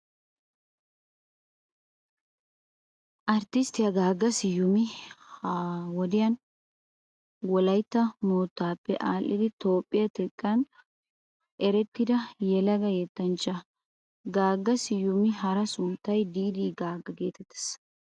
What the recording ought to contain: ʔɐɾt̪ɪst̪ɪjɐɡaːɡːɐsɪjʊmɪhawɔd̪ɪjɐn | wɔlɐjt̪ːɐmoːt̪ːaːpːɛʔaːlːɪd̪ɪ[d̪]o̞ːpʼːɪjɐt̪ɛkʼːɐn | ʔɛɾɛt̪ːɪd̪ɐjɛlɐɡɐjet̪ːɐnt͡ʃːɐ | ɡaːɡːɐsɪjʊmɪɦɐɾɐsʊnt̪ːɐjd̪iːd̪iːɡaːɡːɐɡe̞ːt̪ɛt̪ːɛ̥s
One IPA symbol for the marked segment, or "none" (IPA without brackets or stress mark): t̪